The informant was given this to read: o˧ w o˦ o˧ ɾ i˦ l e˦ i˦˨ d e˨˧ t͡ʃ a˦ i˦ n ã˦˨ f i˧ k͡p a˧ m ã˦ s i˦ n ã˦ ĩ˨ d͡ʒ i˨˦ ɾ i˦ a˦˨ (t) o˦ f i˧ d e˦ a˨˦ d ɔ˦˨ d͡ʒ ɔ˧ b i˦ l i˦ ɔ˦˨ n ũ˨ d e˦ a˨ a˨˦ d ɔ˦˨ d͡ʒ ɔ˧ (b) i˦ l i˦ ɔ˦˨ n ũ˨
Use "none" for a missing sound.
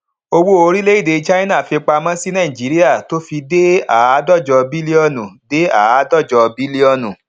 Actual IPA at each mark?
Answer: t, b

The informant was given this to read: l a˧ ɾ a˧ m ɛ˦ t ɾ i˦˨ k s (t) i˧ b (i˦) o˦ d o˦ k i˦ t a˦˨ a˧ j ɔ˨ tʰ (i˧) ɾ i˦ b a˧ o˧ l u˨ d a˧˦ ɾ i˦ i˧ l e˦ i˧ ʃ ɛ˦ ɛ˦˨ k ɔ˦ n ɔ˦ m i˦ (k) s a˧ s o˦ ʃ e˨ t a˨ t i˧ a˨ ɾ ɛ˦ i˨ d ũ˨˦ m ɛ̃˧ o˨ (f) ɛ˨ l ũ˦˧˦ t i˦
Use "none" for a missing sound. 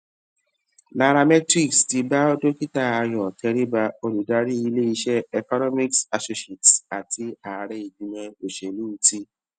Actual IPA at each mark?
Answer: t, a˦, ɛ˧, k, ʃ

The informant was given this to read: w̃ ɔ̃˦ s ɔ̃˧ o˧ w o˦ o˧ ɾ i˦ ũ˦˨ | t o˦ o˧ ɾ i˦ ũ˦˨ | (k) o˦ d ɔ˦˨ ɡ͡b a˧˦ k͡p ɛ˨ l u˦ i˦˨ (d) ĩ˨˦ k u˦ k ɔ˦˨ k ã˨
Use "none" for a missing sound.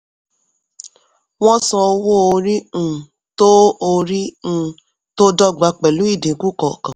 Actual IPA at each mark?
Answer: t, d

